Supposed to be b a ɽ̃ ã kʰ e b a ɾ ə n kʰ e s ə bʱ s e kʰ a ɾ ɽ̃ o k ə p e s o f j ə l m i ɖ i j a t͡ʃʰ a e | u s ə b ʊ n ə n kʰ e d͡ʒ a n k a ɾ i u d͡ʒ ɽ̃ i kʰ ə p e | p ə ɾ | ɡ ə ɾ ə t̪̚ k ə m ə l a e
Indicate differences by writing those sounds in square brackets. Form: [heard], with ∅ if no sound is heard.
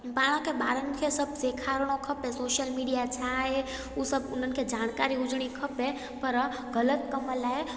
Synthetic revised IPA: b a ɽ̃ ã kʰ e b a ɾ ə n kʰ e s ə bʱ s e kʰ a ɾ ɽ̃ o [kʰ] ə p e s o [ʃ] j ə l m i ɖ i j a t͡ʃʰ a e | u s ə b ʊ n ə n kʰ e d͡ʒ a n k a ɾ i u d͡ʒ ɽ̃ i kʰ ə p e | p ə ɾ | ɡ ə [l] ə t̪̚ k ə m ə l a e